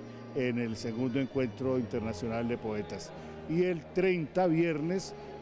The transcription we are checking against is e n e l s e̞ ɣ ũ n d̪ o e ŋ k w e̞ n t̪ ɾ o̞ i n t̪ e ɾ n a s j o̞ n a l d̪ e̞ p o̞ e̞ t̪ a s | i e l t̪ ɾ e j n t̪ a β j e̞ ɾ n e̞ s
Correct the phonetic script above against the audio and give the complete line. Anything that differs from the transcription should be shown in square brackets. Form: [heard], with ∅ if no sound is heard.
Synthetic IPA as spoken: e n e l s e̞ ɣ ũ n d̪ o e ŋ k w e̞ n t̪ ɾ o̞ i n t̪ e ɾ n a s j o̞ n a l d̪ e̞ p o̞ e̞ t̪ a s | i e l t̪ ɾ e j n t̪ a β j e̞ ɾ n e̞ s